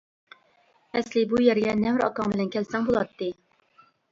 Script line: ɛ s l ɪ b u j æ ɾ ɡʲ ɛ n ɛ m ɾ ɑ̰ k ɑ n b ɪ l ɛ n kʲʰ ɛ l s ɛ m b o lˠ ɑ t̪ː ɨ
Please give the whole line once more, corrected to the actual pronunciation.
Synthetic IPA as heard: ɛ s l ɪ b u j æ ɾ ɡʲ ɛ n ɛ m ɾ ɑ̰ k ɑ ŋ b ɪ l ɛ n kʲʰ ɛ l s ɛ ŋ b o lˠ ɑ t̪ː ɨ